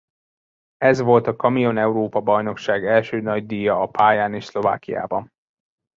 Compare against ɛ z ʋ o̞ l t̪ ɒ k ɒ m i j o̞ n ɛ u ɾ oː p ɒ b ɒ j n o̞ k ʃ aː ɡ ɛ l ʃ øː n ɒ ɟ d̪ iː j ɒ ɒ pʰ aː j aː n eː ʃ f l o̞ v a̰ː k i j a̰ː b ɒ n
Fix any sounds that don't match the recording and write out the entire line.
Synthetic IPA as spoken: ɛ z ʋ o̞ l t̪ ɒ k ɒ m i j o̞ n ɛ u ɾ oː p ɒ b ɒ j n o̞ k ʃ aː ɡ ɛ l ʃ øː n ɒ ɟ d̪ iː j ɒ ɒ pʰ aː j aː n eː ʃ s l o̞ v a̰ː k i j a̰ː b ɒ n